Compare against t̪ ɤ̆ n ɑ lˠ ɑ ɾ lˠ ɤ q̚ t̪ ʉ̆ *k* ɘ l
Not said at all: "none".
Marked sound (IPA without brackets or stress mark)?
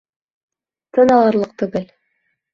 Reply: ɡ